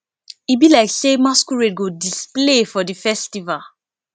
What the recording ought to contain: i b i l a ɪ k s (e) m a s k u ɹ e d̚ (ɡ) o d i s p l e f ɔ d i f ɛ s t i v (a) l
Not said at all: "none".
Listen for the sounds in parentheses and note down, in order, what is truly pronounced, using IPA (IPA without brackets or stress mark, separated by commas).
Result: e, ɡ, a